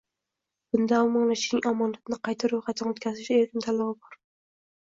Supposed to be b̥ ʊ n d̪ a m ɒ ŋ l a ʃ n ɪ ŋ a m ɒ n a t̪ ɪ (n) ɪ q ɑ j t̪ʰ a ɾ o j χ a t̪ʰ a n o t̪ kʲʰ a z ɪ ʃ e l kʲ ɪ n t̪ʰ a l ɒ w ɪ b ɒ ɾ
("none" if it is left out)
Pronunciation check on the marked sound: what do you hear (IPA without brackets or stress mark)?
n